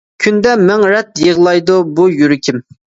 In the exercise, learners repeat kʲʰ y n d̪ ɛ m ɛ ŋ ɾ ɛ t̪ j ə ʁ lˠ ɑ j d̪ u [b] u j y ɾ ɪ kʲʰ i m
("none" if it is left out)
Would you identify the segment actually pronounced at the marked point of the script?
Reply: b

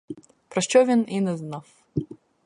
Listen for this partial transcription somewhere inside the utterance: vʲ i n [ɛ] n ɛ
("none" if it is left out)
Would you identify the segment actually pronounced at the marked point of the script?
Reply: i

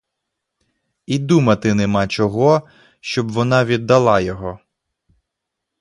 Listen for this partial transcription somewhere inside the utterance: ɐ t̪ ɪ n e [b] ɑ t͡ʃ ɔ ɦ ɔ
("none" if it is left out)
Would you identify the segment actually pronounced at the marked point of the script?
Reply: m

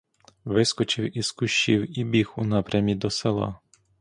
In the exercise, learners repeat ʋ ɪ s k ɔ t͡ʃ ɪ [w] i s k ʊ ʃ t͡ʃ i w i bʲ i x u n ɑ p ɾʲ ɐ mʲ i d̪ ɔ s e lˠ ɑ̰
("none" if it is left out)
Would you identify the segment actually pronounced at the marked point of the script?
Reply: w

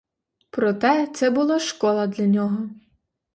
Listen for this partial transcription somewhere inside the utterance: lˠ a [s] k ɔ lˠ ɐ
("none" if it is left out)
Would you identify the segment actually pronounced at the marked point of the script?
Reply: ʃ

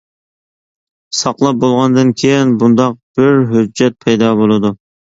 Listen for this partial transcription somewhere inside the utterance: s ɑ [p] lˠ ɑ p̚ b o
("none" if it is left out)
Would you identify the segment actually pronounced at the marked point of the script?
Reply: q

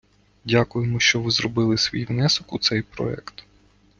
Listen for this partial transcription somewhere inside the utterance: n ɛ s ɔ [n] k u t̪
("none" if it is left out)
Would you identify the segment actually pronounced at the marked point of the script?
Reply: none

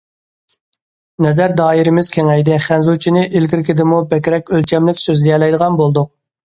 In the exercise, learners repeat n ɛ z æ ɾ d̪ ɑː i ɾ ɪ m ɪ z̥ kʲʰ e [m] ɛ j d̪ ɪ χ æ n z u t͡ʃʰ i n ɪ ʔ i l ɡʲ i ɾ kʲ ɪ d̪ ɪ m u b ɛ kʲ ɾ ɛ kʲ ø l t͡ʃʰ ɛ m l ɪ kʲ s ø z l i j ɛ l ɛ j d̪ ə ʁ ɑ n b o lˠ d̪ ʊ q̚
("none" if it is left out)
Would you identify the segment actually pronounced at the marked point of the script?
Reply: ŋ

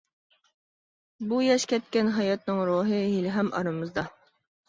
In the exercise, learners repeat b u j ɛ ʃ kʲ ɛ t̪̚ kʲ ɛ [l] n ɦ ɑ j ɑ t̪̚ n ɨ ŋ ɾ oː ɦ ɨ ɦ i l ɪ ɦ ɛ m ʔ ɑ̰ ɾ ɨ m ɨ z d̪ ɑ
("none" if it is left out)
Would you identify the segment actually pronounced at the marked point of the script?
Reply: none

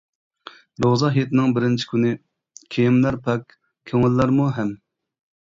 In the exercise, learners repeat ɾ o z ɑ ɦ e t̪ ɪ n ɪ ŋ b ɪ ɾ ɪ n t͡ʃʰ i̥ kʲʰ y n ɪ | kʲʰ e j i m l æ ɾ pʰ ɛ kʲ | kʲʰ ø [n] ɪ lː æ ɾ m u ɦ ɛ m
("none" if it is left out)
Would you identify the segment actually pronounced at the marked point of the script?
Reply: ŋ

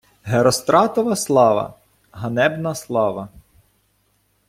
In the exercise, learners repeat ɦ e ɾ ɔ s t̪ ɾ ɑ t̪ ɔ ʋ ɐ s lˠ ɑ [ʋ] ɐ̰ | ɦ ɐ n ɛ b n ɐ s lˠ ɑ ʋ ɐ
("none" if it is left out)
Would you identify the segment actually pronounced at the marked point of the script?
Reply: ʋ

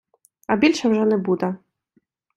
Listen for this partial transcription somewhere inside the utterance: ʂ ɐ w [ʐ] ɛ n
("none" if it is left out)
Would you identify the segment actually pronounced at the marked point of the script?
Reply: ʐ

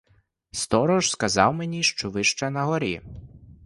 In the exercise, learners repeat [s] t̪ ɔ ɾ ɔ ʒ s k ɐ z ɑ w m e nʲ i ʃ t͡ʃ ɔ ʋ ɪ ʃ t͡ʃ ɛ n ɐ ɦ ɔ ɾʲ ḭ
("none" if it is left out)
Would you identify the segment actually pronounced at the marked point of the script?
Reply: s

